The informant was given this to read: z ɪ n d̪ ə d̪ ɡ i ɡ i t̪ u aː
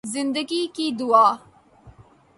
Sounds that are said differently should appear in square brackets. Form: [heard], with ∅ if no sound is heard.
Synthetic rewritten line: z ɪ n d̪ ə [∅] ɡ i [k] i [d̪] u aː

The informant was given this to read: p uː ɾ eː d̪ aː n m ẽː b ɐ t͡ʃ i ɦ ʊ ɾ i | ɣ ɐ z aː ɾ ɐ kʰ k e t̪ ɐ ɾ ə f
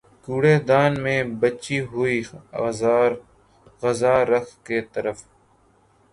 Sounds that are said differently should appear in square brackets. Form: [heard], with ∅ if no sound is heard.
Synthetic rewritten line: [k] uː [ɽ] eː d̪ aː n m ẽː b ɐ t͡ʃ i ɦ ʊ [∅] i | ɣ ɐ z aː ɾ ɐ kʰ k e t̪ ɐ ɾ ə f

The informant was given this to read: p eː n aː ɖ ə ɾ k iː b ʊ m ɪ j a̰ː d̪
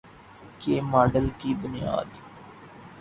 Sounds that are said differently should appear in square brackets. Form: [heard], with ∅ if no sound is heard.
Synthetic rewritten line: [k] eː [m] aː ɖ ə [l] k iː b ʊ [n] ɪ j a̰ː d̪

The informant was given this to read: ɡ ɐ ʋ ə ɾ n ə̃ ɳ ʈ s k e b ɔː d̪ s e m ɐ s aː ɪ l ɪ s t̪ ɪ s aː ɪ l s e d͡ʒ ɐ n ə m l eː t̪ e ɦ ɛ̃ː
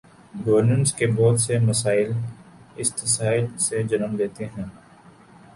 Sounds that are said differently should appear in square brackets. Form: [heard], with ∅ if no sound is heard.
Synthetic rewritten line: ɡ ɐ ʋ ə ɾ n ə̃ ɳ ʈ s k e b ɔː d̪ s e m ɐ s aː ɪ l ɪ s t̪ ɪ s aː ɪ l s e d͡ʒ ɐ n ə m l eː t̪ e ɦ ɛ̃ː

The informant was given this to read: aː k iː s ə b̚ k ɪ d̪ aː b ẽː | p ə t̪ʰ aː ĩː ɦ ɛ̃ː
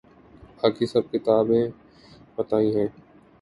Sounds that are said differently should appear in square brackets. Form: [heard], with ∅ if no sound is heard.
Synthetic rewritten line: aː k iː s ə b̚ k ɪ [t̪] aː b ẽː | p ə [t̪] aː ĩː ɦ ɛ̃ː

